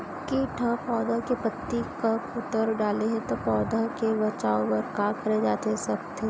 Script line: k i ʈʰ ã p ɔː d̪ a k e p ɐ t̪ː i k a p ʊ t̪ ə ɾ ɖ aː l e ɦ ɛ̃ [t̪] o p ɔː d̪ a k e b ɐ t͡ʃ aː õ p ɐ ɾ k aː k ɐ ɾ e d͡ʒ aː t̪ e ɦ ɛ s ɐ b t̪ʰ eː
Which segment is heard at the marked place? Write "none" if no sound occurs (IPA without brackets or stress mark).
t̪